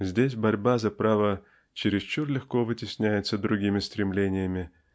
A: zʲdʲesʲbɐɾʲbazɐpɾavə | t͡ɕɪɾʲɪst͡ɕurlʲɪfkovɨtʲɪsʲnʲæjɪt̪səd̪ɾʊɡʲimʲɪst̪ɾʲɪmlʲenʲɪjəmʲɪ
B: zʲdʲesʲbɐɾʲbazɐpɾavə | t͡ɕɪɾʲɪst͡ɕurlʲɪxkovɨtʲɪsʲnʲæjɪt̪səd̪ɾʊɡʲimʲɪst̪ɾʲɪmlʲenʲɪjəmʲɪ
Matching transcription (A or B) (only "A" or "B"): B